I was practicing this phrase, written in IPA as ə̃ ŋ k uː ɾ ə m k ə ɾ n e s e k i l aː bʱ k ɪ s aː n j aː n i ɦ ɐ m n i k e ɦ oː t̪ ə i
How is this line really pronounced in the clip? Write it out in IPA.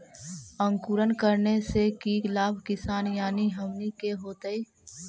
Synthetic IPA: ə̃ ŋ k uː ɾ ə n k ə ɾ n e s e k i l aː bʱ k ɪ s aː n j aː n i ɦ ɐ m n i k e ɦ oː t̪ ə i